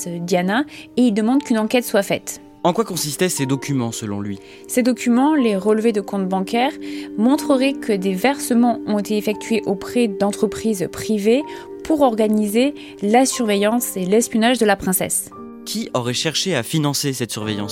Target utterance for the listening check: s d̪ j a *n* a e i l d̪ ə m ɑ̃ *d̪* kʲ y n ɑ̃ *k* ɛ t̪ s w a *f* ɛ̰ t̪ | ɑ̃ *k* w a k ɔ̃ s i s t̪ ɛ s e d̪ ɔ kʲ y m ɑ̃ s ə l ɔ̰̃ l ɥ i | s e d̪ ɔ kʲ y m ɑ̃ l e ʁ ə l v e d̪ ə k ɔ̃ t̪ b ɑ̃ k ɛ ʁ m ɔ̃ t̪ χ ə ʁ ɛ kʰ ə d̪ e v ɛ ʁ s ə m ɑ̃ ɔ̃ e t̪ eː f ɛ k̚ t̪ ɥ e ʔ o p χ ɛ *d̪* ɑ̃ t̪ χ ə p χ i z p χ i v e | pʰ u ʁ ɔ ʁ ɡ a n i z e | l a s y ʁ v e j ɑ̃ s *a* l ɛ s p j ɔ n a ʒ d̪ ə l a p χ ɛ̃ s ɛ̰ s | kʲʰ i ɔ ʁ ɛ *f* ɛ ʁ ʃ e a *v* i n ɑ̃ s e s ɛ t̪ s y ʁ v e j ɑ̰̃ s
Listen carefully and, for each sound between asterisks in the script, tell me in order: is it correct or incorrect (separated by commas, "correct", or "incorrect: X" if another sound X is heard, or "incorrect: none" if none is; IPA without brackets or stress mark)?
correct, correct, correct, correct, correct, correct, incorrect: e, incorrect: ʃ, incorrect: f